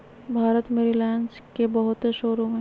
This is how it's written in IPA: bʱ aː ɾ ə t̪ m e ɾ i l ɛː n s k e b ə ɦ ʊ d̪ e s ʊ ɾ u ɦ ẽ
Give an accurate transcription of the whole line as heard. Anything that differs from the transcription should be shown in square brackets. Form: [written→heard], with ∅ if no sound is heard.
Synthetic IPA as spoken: bʱ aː ɾ ə t̪ m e ɾ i l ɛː n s k e b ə ɦ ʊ [d̪→t̪] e [s→ʃ] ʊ ɾ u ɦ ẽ